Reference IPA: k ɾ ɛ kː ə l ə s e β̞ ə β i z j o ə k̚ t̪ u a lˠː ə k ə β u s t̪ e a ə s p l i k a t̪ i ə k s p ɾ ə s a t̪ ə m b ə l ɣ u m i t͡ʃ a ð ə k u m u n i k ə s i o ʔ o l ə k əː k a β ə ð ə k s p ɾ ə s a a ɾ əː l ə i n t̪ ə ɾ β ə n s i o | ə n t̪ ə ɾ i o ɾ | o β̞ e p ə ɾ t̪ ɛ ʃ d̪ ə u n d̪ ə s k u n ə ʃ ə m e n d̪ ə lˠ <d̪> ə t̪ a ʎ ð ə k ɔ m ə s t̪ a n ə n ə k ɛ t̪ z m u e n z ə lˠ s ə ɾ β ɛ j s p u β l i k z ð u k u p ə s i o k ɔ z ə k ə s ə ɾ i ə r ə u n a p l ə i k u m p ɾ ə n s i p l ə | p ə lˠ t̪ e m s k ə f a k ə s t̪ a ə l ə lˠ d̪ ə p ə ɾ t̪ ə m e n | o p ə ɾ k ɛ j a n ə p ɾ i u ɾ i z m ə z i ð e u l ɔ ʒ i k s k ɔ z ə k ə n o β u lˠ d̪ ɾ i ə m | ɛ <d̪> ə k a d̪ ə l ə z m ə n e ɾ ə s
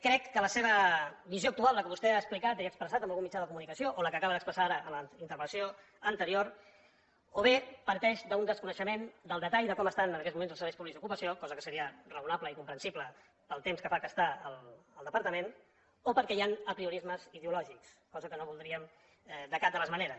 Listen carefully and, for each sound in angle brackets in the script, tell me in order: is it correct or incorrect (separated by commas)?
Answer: correct, correct